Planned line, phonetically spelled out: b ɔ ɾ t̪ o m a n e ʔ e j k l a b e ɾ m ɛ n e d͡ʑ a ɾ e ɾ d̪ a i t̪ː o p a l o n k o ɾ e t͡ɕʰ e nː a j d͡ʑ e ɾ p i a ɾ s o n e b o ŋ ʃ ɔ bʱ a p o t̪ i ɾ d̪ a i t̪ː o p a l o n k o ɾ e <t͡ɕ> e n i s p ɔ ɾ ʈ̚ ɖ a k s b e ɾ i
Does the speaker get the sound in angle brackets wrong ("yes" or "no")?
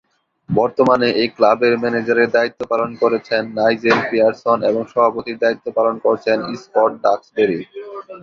yes